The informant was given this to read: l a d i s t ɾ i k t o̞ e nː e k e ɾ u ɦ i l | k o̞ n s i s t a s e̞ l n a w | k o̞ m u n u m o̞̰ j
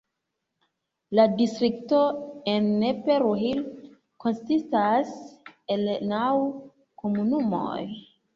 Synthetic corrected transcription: l a d i s t ɾ i k t o̞ e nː e p e ɾ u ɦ i l | k o̞ n s i s t a s e̞ l n a w | k o̞ m u n u m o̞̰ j